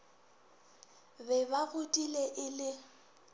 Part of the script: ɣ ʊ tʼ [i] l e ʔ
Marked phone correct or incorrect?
correct